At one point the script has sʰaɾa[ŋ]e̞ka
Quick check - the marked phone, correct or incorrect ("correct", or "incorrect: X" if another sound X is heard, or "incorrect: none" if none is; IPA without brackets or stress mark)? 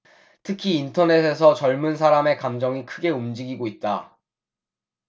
incorrect: m